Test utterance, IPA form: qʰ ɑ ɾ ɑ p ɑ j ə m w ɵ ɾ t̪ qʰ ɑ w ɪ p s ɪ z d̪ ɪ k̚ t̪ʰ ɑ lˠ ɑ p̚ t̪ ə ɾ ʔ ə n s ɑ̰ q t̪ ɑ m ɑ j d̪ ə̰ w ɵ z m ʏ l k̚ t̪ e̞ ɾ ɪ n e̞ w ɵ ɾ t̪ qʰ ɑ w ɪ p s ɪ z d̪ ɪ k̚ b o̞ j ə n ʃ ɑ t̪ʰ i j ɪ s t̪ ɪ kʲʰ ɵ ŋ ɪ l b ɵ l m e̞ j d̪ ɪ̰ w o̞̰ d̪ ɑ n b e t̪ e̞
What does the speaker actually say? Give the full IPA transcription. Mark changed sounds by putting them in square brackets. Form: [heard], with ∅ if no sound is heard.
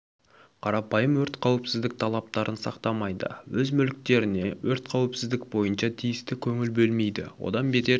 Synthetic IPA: qʰ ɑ ɾ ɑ p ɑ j ə m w ɵ ɾ t̪ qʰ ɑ w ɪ p s ɪ z d̪ ɪ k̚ t̪ʰ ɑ lˠ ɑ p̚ t̪ [ɑ] ɾ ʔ ə n s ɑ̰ q t̪ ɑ m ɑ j d̪ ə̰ w ɵ z m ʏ l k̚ t̪ e̞ ɾ ɪ n e̞ w ɵ ɾ t̪ qʰ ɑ w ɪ p s ɪ z d̪ ɪ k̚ b o̞ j ə n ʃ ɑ t̪ʰ i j ɪ s t̪ ɪ kʲʰ ɵ ŋ ɪ l b ɵ l m e̞ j d̪ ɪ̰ w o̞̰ d̪ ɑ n b e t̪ e̞